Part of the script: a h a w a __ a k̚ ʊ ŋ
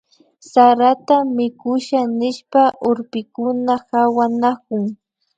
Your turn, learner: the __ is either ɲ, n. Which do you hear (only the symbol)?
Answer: n